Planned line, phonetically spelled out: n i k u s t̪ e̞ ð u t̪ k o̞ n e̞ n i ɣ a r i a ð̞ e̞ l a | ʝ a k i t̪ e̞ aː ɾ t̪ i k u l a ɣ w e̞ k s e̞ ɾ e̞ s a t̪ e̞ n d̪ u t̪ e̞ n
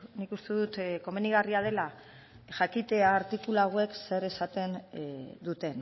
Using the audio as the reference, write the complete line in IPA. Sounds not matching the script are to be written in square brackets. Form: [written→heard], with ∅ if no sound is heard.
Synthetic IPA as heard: n i k u s t̪ e̞ ð u t̪ k o̞ [n→m] e̞ n i ɣ a r i a ð̞ e̞ l a | ʝ a k i t̪ e̞ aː ɾ t̪ i k u l a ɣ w e̞ k s e̞ ɾ e̞ s a t̪ e̞ n d̪ u t̪ e̞ n